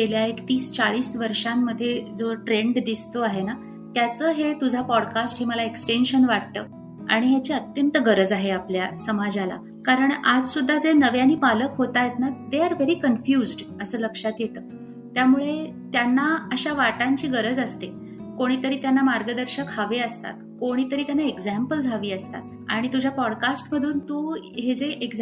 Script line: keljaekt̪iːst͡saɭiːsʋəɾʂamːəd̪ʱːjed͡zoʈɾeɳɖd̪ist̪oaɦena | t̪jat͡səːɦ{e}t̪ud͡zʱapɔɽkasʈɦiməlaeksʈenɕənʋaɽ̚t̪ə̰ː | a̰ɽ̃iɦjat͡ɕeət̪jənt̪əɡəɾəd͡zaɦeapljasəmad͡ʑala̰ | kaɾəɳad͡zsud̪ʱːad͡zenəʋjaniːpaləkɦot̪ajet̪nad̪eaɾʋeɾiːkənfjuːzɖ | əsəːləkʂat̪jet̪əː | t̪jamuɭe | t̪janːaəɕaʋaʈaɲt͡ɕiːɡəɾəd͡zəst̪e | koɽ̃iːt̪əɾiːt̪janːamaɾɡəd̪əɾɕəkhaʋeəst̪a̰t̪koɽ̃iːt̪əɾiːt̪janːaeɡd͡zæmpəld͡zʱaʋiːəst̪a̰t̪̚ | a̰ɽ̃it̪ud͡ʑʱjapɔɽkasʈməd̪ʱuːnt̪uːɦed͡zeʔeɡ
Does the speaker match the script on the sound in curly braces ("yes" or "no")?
yes